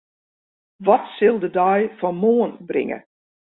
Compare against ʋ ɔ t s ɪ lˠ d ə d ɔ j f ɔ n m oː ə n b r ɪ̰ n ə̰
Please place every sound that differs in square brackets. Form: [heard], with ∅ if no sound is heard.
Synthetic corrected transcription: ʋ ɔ t s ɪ lˠ d ə d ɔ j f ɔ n m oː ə n b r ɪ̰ [ŋ] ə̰